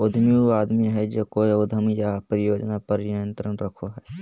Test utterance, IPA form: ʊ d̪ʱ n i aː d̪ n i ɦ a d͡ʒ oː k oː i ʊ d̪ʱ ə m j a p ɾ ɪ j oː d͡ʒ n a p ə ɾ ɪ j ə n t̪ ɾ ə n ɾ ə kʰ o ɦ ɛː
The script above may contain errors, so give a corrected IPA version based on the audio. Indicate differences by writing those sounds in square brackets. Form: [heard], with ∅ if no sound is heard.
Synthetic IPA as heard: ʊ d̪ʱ [m] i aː d̪ [m] i ɦ [ɛ] d͡ʒ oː k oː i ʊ d̪ʱ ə m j a p ɾ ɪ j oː d͡ʒ n a p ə ɾ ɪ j ə n t̪ ɾ ə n ɾ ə kʰ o ɦ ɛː